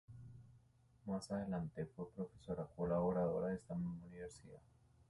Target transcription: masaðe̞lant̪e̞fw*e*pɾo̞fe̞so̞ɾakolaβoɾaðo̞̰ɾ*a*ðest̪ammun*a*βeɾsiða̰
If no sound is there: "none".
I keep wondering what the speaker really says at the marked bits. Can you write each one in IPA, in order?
e, a, i

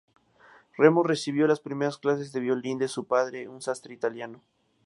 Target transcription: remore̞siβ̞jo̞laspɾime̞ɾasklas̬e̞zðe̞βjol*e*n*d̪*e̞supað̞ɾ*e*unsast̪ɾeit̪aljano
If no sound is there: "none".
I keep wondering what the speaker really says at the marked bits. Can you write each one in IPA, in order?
i, d̪, e

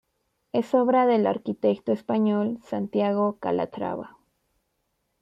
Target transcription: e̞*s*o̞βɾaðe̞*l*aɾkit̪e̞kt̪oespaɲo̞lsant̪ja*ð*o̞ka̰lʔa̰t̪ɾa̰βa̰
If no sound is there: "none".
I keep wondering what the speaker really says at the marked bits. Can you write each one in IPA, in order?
s, l, ɣ

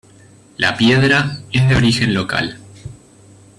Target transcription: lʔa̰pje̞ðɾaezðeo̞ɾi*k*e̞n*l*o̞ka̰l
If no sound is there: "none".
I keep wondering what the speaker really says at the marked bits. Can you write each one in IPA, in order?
x, l

